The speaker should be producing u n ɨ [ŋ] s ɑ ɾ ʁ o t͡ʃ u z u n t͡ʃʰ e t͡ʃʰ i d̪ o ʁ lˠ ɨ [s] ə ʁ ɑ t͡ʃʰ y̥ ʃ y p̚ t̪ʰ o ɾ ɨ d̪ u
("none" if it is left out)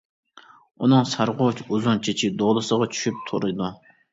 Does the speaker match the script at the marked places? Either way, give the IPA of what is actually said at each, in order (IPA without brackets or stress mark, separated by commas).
ŋ, s